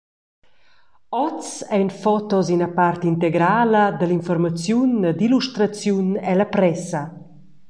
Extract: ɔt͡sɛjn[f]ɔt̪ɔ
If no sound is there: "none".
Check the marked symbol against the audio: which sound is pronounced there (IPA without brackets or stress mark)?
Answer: f